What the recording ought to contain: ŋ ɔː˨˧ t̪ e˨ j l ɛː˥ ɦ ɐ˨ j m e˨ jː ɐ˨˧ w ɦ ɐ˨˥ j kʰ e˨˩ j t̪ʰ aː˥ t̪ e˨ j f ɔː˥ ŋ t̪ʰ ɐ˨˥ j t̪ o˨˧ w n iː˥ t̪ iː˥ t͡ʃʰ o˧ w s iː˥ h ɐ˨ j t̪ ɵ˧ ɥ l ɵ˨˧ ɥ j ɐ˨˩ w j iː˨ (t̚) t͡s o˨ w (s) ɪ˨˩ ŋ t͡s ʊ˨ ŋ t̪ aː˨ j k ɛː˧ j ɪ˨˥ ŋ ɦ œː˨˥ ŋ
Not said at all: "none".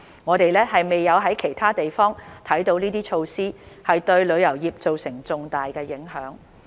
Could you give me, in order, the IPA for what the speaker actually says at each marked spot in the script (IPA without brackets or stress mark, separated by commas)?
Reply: p̚, s